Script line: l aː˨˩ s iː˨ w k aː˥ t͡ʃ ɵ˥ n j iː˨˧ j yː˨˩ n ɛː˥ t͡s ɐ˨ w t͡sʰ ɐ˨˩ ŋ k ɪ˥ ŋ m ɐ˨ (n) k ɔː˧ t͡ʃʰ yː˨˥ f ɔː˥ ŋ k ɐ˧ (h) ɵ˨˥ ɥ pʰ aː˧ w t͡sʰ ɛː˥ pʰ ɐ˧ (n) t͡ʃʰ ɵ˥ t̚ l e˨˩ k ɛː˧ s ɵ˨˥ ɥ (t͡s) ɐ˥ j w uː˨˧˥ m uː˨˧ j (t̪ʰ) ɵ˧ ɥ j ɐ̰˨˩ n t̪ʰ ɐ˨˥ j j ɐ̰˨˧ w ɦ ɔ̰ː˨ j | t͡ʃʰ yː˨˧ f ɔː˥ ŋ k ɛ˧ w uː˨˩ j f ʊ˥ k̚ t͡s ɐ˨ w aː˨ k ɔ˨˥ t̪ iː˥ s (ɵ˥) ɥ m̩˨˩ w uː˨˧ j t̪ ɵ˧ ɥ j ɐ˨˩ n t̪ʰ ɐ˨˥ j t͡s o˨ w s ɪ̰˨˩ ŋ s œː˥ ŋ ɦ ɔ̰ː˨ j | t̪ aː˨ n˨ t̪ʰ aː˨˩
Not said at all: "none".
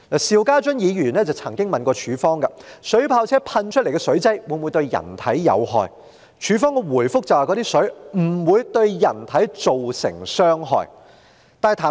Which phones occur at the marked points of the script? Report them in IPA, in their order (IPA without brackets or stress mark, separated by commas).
n, s, n, t͡s, t̪, ɵ˨˥